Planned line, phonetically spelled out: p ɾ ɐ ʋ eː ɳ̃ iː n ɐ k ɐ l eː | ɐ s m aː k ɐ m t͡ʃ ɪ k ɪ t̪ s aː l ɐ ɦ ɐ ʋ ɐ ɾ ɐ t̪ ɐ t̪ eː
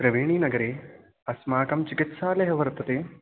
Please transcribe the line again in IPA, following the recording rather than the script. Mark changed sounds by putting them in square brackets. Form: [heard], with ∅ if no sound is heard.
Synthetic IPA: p ɾ ɐ ʋ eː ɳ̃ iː n ɐ [ɡ] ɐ [ɾ] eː | ɐ s m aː k ɐ m t͡ʃ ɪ k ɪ t̪ s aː l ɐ ɦ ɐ ʋ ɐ ɾ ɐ t̪ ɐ t̪ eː